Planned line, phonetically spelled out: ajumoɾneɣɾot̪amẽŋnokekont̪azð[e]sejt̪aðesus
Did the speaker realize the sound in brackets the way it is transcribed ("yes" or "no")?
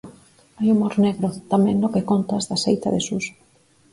no